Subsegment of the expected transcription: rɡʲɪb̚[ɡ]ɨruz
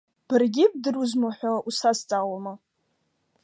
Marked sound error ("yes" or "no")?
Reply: yes